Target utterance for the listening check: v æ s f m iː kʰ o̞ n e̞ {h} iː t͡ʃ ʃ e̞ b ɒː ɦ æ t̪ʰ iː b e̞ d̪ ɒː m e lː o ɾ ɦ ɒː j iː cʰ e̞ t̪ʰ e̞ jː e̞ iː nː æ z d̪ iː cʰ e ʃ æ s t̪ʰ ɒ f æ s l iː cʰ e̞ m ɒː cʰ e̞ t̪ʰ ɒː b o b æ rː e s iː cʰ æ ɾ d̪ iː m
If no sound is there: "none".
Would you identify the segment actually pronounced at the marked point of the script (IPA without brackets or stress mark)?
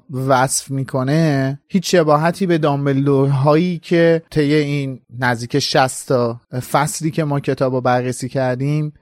h